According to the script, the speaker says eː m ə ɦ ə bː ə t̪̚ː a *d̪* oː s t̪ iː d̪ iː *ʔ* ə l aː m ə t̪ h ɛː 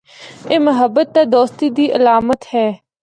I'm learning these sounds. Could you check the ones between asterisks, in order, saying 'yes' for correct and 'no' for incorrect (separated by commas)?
yes, yes